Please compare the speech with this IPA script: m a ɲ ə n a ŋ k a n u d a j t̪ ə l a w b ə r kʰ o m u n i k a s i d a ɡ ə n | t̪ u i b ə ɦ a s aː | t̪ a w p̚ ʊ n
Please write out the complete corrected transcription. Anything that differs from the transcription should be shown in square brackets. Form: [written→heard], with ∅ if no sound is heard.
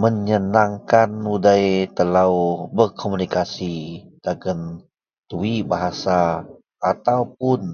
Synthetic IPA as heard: m [a→ə] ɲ ə n a ŋ k a n u d a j t̪ ə l a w b ə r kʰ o m u n i k a s i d a ɡ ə n | t̪ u i b [ə→a] ɦ a s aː | t̪ a w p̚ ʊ n